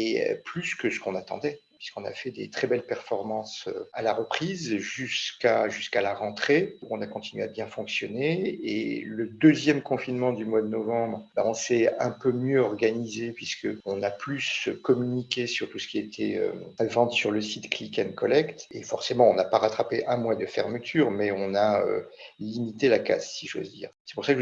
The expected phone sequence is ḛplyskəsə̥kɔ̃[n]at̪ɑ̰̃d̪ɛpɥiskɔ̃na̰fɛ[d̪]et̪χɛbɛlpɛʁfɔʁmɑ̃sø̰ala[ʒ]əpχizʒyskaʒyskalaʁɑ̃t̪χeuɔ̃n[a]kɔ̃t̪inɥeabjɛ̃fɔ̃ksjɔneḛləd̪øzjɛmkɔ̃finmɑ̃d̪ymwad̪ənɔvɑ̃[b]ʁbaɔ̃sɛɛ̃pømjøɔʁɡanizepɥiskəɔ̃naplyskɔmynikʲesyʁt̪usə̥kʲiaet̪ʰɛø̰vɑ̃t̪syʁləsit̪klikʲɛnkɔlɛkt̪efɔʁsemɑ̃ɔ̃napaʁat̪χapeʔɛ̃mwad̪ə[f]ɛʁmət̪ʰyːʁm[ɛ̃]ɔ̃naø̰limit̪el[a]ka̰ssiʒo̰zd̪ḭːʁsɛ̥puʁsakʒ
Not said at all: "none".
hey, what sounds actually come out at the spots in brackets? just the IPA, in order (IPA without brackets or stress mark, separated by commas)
n, d̪, ʁ, a, b, f, ɛ, a